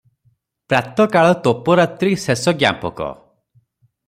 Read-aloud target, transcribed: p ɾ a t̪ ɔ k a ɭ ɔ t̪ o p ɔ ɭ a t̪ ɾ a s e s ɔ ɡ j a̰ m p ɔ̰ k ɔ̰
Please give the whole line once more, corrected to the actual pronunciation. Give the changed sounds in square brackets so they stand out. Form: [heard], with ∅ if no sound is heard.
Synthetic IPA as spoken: p ɾ a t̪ ɔ k a ɭ ɔ t̪ o p ɔ [ɾ] a t̪ ɾ [i] s e s ɔ ɡ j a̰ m p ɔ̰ k ɔ̰